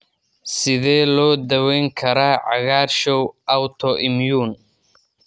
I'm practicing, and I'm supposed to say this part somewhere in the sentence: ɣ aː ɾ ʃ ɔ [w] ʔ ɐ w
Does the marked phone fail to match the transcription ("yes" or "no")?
no